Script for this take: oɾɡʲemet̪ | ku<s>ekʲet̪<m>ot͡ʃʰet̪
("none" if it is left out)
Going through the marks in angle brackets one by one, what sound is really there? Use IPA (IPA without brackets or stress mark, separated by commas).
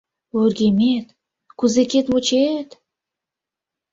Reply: z, m